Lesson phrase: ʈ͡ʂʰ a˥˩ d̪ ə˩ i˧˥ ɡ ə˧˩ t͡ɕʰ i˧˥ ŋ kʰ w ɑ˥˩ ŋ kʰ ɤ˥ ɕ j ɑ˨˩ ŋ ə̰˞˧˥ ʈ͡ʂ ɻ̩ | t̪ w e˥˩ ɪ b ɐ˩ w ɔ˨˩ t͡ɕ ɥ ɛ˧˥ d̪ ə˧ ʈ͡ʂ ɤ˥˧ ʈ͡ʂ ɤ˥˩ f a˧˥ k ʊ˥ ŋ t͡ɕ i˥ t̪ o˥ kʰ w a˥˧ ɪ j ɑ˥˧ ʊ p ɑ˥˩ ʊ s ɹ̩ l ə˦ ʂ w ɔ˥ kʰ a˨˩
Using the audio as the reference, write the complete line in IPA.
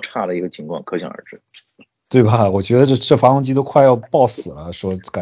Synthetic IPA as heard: ʈ͡ʂʰ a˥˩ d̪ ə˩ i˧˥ ɡ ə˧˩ t͡ɕʰ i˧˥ ŋ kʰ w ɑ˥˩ ŋ kʰ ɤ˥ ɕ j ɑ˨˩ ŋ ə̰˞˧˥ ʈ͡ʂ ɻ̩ | t̪ w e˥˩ ɪ b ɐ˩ w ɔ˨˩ t͡ɕ ɥ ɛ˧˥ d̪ ə˧ ʈ͡ʂ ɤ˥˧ ʈ͡ʂ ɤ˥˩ f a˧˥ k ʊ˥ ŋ t͡ɕ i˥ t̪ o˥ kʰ w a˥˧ ɪ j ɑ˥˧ ʊ p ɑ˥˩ ʊ s ɹ̩ l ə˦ ʂ w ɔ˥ k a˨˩